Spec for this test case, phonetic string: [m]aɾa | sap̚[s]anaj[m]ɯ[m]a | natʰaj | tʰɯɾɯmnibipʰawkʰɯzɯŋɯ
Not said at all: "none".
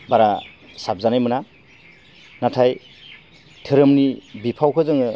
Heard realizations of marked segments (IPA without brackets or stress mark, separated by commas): b, z, m, n